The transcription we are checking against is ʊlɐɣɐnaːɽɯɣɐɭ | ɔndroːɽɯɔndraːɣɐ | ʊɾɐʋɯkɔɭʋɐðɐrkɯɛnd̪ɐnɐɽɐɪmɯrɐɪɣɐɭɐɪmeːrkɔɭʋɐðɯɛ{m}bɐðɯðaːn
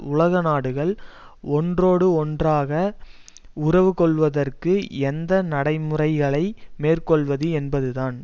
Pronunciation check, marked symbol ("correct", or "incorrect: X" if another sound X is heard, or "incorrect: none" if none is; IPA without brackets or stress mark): incorrect: n